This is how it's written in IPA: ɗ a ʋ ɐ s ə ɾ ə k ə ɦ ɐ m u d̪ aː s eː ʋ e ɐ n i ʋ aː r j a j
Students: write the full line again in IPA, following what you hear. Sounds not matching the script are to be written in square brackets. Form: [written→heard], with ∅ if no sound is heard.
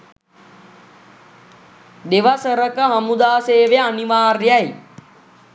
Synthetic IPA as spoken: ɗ [a→e] ʋ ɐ s ə ɾ ə k ə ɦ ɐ m u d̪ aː s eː ʋ e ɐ n i ʋ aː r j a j